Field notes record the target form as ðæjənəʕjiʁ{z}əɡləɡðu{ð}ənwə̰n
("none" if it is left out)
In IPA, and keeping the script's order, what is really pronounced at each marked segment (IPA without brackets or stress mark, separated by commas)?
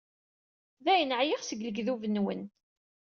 s, v